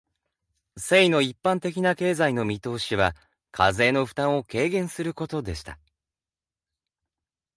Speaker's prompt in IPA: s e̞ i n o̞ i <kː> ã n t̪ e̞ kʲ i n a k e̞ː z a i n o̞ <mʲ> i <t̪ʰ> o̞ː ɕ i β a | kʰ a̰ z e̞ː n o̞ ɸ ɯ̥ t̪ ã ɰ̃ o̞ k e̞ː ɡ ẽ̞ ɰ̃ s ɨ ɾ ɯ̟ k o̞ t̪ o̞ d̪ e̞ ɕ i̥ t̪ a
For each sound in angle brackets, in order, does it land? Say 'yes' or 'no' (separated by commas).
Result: no, yes, no